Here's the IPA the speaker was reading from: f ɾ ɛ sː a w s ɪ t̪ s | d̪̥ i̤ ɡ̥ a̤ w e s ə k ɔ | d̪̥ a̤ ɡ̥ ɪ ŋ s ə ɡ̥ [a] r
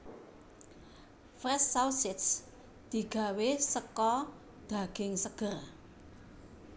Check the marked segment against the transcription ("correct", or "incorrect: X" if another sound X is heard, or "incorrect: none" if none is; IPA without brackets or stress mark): incorrect: ə